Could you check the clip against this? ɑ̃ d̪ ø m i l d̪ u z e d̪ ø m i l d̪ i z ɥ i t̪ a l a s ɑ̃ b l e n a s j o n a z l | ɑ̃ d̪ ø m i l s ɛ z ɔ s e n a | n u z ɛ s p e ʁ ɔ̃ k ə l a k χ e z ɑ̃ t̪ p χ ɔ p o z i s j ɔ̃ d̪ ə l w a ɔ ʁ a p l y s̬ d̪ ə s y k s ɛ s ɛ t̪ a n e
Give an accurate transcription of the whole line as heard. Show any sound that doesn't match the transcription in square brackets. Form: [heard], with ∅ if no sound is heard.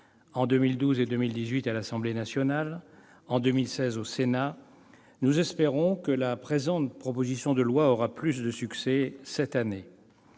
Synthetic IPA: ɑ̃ d̪ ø m i l d̪ u z e d̪ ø m i l d̪ i z ɥ i t̪ a l a s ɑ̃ b l e n a s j [ɔ] n a [∅] l | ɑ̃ d̪ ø m i l s ɛ z [o] s e n a | n u z ɛ s p e ʁ ɔ̃ k ə l a [p] χ e z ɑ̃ t̪ p χ ɔ p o z i s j ɔ̃ d̪ ə l w a ɔ ʁ a p l y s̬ d̪ ə s y k s ɛ s ɛ t̪ a n e